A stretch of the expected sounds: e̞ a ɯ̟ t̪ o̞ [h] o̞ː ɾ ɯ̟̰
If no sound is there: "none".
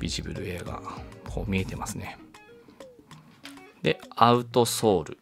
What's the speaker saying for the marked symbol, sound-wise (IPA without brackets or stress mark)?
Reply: s